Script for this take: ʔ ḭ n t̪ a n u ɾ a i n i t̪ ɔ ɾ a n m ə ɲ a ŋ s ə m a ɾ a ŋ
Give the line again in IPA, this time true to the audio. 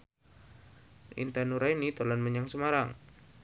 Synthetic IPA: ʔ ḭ n t̪ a n u ɾ a i n i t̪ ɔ l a n m ə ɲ a ŋ s ə m a ɾ a ŋ